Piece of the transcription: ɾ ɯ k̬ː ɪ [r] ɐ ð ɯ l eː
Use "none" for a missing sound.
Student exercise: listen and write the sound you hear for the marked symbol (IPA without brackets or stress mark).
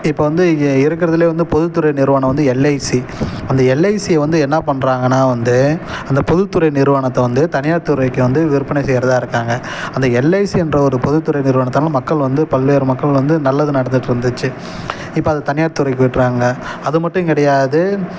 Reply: ɾ